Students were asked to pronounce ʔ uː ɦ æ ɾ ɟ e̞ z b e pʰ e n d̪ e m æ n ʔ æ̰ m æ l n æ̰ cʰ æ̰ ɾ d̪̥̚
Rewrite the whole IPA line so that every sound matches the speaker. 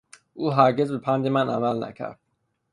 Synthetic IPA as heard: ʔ uː ɦ æ ɾ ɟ e̞ z b e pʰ æ n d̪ e m æ n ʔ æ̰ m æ l n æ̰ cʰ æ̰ ɾ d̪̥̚